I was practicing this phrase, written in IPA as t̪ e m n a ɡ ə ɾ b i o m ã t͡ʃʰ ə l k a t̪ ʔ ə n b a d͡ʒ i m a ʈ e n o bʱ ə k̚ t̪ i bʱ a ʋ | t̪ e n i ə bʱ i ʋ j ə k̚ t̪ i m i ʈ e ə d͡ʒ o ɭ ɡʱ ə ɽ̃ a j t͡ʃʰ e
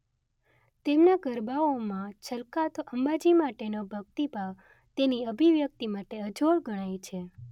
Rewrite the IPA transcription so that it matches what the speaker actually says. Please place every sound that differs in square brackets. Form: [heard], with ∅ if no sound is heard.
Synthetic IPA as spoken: t̪ e m n a ɡ ə ɾ b [a] o m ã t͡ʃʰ ə l k a t̪ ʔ ə [m] b a d͡ʒ i m a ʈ e n o bʱ ə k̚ t̪ i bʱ a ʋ | t̪ e n i ə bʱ i ʋ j ə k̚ t̪ i m [a] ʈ e ə d͡ʒ o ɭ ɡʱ ə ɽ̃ a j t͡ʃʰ e